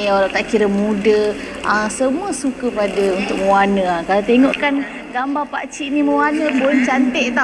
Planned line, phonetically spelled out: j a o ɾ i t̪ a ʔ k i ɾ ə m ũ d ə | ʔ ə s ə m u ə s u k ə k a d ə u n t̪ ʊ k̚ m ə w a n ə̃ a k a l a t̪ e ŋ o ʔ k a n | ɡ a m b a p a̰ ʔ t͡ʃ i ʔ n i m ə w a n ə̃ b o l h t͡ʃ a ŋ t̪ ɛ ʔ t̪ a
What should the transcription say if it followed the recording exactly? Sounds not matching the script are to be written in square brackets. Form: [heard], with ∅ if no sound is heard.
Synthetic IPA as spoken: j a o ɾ [a] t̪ a ʔ k i ɾ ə m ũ d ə | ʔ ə s ə m u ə s u k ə [p] a d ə u n t̪ ʊ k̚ m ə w a n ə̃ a k a l a t̪ e ŋ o ʔ k a n | ɡ a m b a p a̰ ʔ t͡ʃ i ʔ n i m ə w a n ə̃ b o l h t͡ʃ a [n] t̪ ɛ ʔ t̪ a

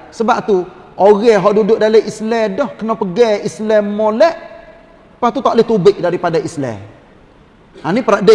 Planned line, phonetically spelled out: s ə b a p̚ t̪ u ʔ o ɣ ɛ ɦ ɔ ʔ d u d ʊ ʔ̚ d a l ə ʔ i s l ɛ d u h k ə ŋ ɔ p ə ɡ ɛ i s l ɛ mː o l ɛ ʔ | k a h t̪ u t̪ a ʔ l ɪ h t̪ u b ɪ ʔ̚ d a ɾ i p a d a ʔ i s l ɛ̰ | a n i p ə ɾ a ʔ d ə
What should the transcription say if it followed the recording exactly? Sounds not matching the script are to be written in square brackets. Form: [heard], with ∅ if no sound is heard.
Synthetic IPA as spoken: s ə b a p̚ t̪ u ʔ o ɣ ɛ ɦ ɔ ʔ d u d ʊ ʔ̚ d a l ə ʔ i s l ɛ d [ɔ] h k ə [n] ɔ p ə ɡ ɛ i s l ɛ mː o l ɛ ʔ | [p] a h t̪ u t̪ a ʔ l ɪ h t̪ u b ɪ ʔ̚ d a ɾ i p a d a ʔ i s l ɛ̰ | a n i p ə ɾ a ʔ d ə

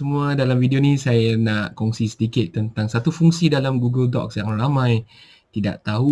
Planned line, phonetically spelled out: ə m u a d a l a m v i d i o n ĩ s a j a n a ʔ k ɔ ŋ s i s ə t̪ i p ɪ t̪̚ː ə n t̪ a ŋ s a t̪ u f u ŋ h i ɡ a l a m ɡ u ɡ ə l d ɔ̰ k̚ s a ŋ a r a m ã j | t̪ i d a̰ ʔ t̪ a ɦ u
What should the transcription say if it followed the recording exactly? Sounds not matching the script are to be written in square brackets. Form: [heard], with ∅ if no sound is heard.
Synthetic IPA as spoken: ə m u a d a l a m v i d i o n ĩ s a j a n a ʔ k ɔ ŋ s i s ə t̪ i [k] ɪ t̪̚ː ə n t̪ a ŋ s a t̪ u f u ŋ [s] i [d] a l a m ɡ u ɡ ə l d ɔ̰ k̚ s a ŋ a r a m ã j | t̪ i d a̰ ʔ t̪ a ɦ u

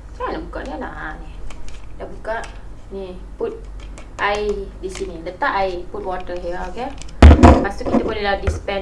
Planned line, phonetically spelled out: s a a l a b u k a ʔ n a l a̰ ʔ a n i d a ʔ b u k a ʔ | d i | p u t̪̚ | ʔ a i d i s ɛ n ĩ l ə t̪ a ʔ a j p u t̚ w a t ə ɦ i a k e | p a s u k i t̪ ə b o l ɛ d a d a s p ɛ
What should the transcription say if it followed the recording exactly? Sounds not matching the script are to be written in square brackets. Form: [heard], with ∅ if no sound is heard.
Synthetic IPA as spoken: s a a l a b u k a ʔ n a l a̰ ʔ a n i d a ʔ b u k a ʔ | [n] i | p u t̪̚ | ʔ a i d i s [i] n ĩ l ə t̪ a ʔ a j p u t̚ w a t ə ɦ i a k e | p a s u k i t̪ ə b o l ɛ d a d [i] s p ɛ

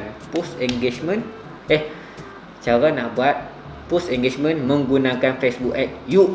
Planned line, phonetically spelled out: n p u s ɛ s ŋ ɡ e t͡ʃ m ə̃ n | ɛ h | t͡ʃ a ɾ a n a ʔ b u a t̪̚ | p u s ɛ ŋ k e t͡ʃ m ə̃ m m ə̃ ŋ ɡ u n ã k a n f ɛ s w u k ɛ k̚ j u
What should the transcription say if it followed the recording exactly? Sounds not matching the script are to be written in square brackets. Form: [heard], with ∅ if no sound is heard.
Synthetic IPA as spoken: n p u s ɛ [∅] ŋ ɡ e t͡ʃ m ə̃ n | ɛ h | t͡ʃ a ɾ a n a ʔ b u a t̪̚ | p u s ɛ ŋ [ɡ] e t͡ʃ m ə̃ [n] m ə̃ ŋ ɡ u n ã k a n f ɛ s [b] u k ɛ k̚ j u

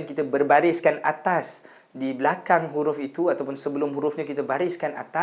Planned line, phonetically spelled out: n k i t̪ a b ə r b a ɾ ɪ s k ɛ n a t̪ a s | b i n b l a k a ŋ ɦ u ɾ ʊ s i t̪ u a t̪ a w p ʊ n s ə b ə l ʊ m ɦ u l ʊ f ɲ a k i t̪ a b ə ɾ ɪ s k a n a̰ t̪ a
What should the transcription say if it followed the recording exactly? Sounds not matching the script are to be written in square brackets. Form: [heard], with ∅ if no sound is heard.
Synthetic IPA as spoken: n k i t̪ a b ə r b a ɾ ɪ s k [a] n a t̪ a s | [d] i [∅] b l a k a ŋ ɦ u ɾ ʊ [f] i t̪ u a t̪ a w p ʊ n s ə b ə l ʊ m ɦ u [ɾ] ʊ f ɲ a k i t̪ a b [a] ɾ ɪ s k a n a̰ t̪ a

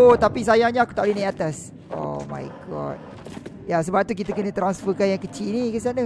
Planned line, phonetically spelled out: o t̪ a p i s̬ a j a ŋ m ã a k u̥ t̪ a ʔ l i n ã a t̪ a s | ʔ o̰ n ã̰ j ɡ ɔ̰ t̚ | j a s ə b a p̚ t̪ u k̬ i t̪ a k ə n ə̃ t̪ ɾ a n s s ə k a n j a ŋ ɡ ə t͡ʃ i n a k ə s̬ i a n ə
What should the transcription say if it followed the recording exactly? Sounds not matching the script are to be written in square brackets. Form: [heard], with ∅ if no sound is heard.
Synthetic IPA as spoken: o t̪ a p i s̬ a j a ŋ [ɲ] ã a k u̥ t̪ a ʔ l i n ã a t̪ a s | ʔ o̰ [m] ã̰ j ɡ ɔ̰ t̚ | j a s ə b a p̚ t̪ u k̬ i t̪ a k ə n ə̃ t̪ ɾ a n s [f] ə k a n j a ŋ [k] ə t͡ʃ i n [i] k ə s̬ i a n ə

